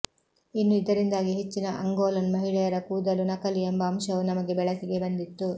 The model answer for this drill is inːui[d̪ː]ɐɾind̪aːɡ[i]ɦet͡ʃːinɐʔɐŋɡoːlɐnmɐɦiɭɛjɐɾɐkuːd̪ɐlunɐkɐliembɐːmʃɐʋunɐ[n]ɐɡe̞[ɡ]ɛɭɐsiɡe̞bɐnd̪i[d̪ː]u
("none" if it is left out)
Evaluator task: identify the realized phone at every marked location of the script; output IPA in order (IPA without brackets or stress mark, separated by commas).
d̪, i, m, b, t̪ː